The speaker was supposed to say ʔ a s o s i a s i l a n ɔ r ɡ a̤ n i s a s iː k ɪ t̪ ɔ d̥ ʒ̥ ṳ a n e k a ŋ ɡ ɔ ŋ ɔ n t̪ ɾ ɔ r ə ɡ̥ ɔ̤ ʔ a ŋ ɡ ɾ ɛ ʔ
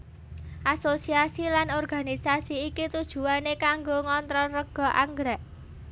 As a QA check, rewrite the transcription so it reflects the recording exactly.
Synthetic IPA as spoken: ʔ a s o s i a s i l a n ɔ r ɡ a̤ n i s a s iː k i t̪ u d̥ ʒ̥ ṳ a n e k a ŋ ɡ o ŋ ɔ n t̪ ɾ ɔ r ə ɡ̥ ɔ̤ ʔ a ŋ ɡ ɾ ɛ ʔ